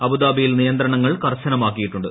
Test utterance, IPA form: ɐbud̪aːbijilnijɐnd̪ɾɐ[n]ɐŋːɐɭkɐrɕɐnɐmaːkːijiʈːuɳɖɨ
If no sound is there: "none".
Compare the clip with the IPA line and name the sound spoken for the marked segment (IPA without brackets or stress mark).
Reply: ɳ